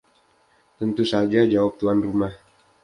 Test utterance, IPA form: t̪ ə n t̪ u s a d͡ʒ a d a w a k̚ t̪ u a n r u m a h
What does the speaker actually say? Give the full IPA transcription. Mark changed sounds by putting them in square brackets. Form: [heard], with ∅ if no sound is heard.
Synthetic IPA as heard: t̪ ə n t̪ u s a d͡ʒ a [d͡ʒ] a w a [p̚] t̪ u a n r u m a h